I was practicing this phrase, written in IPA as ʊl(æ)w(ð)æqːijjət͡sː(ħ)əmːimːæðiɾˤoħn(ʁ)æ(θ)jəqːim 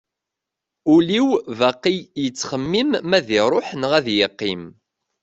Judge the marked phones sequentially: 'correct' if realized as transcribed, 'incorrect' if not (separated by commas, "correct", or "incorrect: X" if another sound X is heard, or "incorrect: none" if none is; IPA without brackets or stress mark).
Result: incorrect: i, incorrect: v, incorrect: χ, correct, incorrect: ð